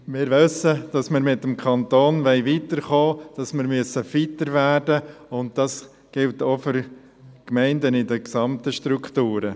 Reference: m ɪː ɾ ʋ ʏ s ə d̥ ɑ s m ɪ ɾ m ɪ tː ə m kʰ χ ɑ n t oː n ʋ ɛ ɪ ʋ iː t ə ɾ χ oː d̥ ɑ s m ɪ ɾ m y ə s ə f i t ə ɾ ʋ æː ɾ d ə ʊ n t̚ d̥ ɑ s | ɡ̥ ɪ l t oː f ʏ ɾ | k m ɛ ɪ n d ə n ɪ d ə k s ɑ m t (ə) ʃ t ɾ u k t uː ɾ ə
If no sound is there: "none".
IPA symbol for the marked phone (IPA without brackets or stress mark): ə